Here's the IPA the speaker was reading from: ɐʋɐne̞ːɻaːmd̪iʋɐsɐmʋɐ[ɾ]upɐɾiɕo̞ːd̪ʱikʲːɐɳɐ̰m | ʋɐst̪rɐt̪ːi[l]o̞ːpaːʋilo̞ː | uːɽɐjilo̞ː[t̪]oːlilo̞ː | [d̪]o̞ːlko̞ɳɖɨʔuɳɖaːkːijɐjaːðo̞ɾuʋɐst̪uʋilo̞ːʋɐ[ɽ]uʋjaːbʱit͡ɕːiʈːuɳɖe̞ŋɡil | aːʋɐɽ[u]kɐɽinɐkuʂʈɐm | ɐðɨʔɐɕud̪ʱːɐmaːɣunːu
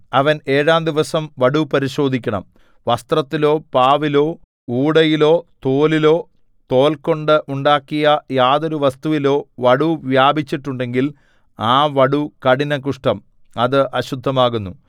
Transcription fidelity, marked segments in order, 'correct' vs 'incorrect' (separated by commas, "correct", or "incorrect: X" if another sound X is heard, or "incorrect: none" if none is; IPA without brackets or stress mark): incorrect: ɽ, correct, correct, incorrect: t̪, correct, correct